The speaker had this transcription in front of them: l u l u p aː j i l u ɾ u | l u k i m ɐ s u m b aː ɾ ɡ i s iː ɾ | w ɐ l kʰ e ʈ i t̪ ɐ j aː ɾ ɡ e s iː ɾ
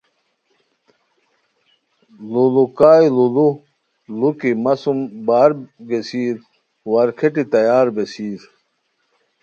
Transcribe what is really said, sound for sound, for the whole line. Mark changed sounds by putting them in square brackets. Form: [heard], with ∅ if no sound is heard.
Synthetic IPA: l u l u [k] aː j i l u [l] u | l u k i m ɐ s u m b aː ɾ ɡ [e] s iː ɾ | w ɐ [ɾ] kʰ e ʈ i t̪ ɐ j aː ɾ [b] e s iː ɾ